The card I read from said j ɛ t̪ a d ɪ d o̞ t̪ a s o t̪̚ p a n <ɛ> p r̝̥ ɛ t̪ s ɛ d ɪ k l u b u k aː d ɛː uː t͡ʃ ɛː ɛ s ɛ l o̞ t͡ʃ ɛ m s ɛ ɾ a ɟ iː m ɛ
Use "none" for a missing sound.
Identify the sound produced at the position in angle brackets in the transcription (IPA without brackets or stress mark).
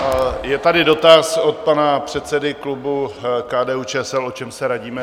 a